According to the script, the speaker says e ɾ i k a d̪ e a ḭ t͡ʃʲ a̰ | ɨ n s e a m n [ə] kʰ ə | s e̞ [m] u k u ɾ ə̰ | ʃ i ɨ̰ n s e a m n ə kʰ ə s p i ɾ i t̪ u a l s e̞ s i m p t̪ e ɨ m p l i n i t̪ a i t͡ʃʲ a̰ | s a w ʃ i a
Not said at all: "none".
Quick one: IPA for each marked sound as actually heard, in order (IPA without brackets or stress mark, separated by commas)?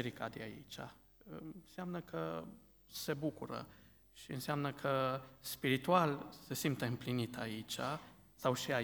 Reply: ə, b